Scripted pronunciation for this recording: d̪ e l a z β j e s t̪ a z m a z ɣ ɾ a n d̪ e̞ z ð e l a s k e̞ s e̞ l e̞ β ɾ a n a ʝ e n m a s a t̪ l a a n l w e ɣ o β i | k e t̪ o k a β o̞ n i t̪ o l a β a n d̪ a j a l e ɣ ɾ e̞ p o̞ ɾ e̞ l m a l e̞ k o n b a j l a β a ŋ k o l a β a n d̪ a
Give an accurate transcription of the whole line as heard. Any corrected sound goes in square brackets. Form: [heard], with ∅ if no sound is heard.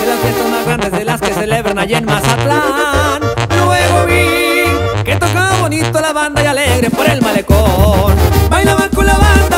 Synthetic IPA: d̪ e l a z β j e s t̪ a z m a z ɣ ɾ a n d̪ e̞ z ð e l a s k e̞ s e̞ l e̞ β ɾ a n a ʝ e n m a s a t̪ l a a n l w e ɣ o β i | k e t̪ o k a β o̞ n i t̪ o l a β a n d̪ a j a l e ɣ ɾ e̞ p o̞ ɾ e̞ l m a l e̞ k o n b a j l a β a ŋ k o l a β a n d̪ a